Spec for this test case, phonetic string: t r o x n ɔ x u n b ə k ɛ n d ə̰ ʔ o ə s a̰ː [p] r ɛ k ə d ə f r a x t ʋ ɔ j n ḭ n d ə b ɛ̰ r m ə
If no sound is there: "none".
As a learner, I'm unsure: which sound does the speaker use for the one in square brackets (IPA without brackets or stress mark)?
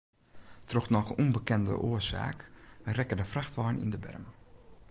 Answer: k